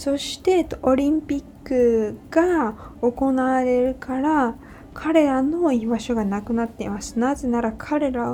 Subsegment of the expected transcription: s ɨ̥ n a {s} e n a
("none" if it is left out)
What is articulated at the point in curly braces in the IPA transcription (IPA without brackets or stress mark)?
z